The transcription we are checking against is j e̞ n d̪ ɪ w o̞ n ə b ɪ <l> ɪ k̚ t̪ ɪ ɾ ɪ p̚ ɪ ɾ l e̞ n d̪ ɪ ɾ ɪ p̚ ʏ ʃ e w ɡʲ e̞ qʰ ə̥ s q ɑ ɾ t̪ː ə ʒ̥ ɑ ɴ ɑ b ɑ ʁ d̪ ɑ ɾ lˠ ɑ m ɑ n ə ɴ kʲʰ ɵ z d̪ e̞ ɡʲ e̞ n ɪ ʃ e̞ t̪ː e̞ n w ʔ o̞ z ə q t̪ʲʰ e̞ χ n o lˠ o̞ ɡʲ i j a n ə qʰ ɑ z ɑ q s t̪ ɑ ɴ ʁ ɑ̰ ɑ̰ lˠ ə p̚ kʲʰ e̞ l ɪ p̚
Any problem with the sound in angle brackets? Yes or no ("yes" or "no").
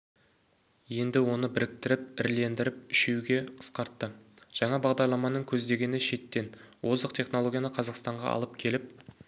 yes